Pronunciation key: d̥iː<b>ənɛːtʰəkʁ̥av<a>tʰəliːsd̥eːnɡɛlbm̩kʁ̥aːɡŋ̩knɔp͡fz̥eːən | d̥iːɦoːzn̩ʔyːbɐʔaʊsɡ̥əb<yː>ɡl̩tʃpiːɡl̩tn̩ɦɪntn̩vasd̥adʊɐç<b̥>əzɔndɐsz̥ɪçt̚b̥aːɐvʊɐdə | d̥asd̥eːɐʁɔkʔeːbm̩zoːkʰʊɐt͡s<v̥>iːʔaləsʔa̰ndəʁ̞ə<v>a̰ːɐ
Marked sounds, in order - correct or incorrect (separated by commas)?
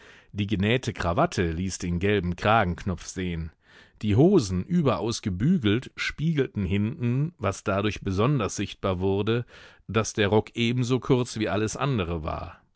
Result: incorrect, correct, correct, correct, correct, correct